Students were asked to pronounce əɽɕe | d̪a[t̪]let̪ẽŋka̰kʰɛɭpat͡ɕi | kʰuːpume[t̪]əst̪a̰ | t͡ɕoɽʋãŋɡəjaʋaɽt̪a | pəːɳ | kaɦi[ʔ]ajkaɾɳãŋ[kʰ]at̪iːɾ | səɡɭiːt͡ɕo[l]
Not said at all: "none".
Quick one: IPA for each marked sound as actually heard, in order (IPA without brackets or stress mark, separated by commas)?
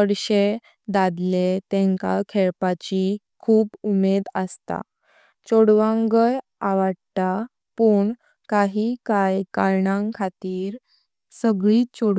d̪, d̪, k, kʰ, ɽ